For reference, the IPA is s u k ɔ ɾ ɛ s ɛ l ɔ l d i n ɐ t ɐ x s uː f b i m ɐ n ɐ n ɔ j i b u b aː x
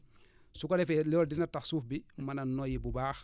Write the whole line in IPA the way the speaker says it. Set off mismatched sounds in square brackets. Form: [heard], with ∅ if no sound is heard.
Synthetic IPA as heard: s u k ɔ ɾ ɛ [f] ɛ l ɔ l d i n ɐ t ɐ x s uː f b i m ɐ n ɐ n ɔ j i b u b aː x